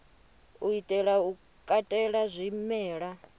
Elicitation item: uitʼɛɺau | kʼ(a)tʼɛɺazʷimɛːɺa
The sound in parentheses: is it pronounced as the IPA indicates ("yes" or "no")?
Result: yes